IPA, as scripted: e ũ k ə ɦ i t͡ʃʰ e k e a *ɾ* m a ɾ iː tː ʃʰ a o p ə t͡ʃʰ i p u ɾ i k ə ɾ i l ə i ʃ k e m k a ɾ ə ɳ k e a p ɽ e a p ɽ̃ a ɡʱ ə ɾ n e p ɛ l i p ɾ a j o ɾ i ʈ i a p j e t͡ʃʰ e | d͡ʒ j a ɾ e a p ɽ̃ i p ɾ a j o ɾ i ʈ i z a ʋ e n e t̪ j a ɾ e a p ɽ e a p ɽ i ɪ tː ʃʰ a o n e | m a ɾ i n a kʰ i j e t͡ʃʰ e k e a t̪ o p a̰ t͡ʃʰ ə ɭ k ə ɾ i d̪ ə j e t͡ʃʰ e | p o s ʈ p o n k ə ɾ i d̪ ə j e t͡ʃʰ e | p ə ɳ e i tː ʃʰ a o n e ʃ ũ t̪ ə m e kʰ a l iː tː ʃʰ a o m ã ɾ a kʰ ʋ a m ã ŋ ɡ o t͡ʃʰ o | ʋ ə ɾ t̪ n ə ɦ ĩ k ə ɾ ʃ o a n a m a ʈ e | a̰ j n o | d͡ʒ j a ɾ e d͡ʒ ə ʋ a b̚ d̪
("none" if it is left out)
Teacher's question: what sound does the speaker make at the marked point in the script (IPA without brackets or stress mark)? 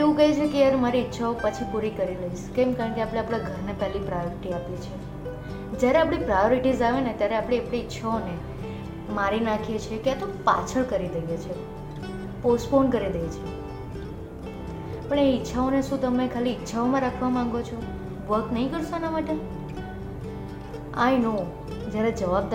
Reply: ɾ